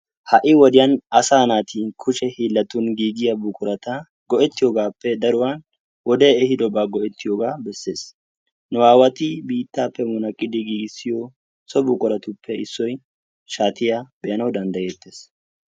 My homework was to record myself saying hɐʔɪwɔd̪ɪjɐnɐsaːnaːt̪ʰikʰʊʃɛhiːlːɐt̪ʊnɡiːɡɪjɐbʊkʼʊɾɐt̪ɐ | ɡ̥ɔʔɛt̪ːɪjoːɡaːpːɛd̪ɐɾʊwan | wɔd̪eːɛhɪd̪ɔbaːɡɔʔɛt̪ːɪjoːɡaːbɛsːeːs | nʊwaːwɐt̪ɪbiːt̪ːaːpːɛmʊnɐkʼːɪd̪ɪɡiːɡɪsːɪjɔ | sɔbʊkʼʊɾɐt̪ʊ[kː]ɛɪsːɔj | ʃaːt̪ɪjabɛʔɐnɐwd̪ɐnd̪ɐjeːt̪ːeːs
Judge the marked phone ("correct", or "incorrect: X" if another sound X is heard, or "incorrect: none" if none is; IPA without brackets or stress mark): incorrect: pː